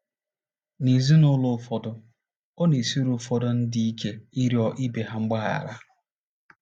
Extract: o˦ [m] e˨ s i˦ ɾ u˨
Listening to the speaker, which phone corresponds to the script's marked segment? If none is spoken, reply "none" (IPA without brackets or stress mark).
n